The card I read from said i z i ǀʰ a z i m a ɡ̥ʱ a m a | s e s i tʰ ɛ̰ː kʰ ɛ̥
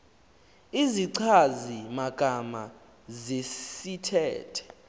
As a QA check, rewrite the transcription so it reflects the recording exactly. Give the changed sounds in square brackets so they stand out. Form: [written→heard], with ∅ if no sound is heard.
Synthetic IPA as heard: i z i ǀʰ a z i m a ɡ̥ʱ a m a | [s→z] e s i tʰ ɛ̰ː [kʰ→tʰ] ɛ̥